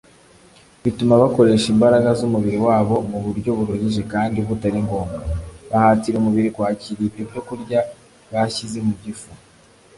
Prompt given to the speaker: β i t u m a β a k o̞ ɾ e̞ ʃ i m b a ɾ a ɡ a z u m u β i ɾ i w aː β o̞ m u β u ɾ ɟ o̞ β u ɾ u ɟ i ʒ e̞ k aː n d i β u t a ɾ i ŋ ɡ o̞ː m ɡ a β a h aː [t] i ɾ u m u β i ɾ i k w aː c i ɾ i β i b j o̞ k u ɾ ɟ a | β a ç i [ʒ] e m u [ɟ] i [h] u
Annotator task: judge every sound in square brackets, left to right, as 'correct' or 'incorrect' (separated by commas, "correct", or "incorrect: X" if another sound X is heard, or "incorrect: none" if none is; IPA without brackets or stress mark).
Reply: correct, incorrect: z, correct, incorrect: f